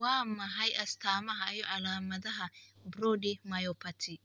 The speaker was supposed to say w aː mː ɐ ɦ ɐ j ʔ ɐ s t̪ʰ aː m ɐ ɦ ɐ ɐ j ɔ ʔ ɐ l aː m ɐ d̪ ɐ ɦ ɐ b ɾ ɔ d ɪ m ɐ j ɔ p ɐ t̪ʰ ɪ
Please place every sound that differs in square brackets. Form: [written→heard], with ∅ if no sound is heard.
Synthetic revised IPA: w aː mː ɐ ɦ ɐ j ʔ ɐ s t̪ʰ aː m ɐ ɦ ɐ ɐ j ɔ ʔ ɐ l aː m ɐ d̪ ɐ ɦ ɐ b ɾ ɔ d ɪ m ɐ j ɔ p ɐ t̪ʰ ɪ